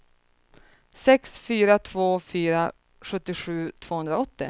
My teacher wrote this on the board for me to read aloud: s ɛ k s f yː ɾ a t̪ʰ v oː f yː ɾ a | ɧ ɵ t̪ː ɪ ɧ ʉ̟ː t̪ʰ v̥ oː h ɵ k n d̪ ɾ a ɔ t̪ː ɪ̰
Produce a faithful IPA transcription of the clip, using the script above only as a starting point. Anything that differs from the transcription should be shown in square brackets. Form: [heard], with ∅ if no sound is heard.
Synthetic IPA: s ɛ k s f yː ɾ a t̪ʰ v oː f yː ɾ a | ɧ ɵ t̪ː ɪ ɧ ʉ̟ː t̪ʰ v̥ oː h ɵ [∅] n d̪ ɾ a ɔ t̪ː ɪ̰